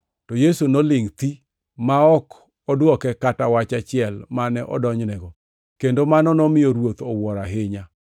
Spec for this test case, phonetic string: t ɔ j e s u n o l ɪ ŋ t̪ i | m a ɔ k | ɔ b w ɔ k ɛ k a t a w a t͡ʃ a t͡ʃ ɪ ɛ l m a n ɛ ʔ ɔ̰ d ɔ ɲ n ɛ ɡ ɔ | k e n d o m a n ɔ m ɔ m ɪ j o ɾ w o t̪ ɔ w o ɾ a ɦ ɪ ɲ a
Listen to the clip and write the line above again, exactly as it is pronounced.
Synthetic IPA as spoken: t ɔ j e s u n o l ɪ ŋ t̪ i | m a ɔ k | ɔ d w ɔ k ɛ k a t a w a t͡ʃ a t͡ʃ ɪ ɛ l m a n ɛ ʔ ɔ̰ d ɔ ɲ n ɛ ɡ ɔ | k e n d o m a n ɔ n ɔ m ɪ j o ɾ w o t̪ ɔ w ɔ ɾ a ɦ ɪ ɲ a